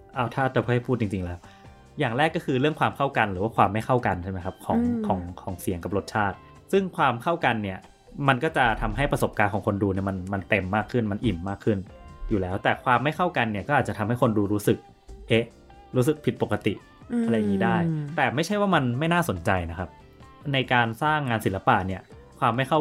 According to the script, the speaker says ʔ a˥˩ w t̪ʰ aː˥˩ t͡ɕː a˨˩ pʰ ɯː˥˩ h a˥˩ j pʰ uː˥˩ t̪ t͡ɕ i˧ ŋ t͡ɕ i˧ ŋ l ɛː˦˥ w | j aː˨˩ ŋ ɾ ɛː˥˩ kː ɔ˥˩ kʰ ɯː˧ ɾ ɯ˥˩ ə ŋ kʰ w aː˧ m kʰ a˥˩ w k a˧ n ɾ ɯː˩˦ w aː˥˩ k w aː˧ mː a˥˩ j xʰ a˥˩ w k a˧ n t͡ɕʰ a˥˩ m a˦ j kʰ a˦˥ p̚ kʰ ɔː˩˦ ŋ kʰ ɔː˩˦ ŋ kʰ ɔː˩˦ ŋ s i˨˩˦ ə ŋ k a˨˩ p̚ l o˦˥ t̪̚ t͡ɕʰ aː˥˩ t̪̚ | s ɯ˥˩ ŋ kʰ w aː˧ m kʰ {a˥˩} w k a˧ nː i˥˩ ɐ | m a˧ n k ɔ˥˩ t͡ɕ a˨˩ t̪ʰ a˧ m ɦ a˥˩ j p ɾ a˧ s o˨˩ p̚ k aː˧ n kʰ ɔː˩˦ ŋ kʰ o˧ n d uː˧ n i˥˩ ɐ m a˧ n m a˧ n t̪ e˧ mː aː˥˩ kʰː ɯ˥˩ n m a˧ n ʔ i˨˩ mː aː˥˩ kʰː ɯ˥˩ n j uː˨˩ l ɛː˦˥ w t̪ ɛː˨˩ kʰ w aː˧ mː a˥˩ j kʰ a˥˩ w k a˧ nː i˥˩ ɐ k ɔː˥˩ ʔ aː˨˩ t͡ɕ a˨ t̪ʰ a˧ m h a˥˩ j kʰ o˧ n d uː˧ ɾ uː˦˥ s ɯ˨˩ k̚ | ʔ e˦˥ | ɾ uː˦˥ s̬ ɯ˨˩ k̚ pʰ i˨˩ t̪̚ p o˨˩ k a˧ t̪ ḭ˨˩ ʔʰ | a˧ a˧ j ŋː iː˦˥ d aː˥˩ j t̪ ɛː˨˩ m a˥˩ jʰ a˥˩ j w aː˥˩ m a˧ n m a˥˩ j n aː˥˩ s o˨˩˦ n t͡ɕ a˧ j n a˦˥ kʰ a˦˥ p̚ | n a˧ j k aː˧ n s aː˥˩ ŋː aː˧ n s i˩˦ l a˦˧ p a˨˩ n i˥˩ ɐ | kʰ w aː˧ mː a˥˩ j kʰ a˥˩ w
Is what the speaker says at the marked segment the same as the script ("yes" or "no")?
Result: yes